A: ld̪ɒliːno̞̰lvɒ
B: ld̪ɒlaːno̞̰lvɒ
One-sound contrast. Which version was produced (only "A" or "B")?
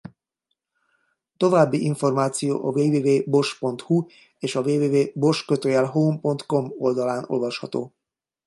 B